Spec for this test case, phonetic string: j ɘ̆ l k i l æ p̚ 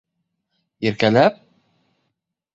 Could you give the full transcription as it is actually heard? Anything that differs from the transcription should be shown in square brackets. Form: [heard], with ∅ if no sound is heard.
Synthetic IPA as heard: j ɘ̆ [ɾ] k [æ] l æ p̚